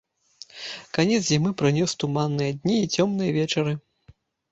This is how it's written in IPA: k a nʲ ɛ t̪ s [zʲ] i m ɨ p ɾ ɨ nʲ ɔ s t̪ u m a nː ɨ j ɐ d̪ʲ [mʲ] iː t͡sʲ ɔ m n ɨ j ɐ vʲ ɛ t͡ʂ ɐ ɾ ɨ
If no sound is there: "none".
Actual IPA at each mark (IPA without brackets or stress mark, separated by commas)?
zʲ, nʲ